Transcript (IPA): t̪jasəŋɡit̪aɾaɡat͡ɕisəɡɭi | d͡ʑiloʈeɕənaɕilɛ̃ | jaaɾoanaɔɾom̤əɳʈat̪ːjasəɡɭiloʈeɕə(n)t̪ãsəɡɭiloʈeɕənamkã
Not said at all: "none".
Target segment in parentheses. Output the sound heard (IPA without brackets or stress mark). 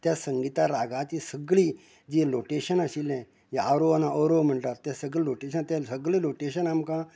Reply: n